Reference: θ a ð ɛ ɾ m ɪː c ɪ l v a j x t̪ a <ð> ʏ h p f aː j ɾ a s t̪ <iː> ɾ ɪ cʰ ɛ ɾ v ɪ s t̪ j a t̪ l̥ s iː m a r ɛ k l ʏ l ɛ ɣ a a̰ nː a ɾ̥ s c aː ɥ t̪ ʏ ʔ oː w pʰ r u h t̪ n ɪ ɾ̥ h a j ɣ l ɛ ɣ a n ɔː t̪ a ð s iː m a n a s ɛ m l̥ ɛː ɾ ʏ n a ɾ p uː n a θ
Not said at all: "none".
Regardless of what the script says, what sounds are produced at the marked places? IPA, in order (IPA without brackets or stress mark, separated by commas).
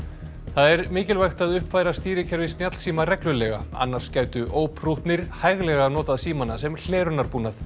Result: ð, iː